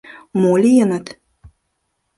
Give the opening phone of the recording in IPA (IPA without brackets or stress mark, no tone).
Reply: m